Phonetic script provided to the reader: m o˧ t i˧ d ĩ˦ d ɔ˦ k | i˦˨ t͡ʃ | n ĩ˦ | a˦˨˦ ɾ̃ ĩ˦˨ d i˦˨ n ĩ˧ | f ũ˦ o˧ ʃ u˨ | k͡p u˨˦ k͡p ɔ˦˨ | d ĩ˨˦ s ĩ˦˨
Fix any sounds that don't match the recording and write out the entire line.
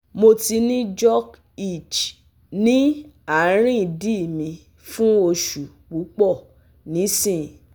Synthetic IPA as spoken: m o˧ t i˧ n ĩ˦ d͡ʒ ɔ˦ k | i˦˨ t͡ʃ | n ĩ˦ | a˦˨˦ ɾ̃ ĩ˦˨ d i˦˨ m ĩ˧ | f ũ˦ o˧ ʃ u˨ | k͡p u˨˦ k͡p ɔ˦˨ | n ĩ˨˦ s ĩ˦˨